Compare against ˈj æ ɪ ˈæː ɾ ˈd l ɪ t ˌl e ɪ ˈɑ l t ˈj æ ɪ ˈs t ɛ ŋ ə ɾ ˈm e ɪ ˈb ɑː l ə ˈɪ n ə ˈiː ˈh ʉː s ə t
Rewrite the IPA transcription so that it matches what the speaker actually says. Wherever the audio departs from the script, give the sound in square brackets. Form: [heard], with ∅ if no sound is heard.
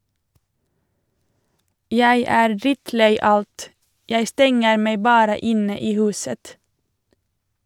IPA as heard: ˈj æ ɪ ˈæː ɾ ˈd [ɾ] ɪ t ˌl e ɪ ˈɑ l t ˈj æ ɪ ˈs t ɛ ŋ ə ɾ ˈm e ɪ ˈb ɑː [ɾ] ə ˈɪ n ə ˈiː ˈh ʉː s ə t